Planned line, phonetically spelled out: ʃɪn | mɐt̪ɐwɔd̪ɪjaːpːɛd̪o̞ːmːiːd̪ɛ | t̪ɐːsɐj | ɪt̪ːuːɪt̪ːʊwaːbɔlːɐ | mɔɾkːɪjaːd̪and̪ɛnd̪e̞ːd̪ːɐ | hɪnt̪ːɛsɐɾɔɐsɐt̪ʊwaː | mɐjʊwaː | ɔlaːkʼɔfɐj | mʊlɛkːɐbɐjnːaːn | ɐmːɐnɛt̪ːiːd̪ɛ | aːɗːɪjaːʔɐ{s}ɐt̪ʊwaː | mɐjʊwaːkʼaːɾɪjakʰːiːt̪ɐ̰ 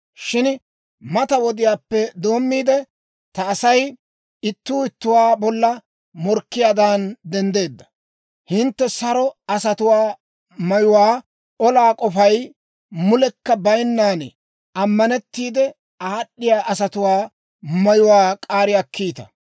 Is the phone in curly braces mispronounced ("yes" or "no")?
no